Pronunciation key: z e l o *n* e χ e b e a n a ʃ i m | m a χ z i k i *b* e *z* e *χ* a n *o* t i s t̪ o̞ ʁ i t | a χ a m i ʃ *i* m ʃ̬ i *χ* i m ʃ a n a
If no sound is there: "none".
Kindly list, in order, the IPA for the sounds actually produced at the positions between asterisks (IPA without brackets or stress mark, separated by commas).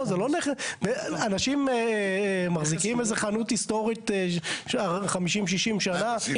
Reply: n, m, z, χ, u, i, ʃ